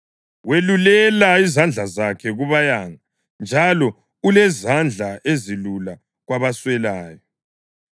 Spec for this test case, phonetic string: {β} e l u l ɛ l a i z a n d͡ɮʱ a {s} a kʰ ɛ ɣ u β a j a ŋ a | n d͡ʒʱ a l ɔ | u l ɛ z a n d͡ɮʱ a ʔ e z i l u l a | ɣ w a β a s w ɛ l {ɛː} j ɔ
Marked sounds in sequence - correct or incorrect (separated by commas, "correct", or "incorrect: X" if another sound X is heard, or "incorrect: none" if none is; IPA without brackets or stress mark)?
incorrect: w, incorrect: z, incorrect: aː